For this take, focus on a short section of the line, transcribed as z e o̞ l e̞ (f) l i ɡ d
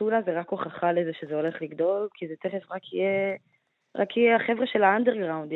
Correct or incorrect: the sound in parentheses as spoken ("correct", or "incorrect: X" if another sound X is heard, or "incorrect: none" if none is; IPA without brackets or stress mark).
incorrect: χ